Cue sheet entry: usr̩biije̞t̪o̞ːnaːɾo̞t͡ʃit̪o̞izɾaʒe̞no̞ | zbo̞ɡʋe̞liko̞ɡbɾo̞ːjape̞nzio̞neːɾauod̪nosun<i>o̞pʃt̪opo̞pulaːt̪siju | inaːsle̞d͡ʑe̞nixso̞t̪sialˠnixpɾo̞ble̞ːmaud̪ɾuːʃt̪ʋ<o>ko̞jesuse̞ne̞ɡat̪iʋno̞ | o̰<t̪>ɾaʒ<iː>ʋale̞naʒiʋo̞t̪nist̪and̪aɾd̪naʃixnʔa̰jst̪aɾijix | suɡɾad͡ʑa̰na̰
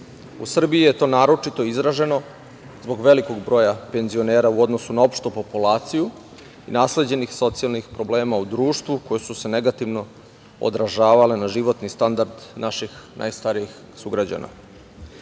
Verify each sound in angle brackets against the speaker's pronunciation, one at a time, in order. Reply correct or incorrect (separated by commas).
incorrect, incorrect, incorrect, incorrect